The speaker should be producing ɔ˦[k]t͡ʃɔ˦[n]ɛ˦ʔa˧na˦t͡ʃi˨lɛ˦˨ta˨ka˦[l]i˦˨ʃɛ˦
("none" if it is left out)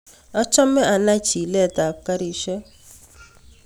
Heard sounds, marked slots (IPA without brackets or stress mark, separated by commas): none, m, ɾ